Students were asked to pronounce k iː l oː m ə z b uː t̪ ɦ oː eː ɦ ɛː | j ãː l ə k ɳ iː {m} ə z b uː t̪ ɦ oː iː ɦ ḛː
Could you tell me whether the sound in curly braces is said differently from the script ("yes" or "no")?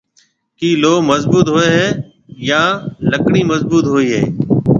no